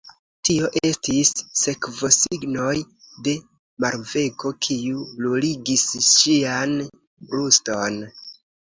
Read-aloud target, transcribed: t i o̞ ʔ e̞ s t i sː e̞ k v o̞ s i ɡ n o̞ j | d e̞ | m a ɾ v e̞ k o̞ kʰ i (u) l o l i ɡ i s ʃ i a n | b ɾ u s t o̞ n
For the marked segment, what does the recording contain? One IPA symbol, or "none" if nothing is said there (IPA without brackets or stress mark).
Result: u